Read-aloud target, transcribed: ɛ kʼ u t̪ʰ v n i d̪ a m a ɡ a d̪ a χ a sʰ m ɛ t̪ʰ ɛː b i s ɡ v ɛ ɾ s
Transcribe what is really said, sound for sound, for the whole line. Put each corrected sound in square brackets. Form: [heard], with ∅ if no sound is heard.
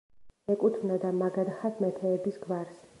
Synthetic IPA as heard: ɛ kʼ u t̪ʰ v n [a] d̪ a m a ɡ a d̪ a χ a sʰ m ɛ t̪ʰ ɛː b i s ɡ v [a] ɾ s